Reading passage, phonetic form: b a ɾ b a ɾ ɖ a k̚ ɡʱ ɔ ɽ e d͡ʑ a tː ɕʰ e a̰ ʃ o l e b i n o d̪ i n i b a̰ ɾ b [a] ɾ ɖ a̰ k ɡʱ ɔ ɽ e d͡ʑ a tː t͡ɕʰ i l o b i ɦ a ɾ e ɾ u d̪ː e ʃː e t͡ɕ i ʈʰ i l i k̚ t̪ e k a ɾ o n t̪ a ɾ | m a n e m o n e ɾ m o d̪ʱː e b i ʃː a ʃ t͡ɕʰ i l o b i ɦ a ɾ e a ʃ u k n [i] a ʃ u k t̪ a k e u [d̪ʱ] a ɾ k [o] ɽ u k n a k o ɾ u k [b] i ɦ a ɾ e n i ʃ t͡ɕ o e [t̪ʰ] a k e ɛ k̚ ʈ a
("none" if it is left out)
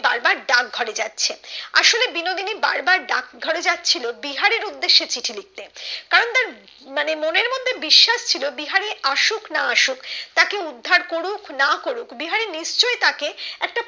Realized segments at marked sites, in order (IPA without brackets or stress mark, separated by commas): a, a, d̪ʱː, o, b, t̪